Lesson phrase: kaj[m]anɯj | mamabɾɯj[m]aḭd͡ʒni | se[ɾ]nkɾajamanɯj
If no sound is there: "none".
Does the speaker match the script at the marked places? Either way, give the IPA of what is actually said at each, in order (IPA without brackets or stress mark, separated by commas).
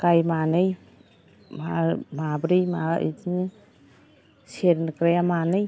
m, m, ɾ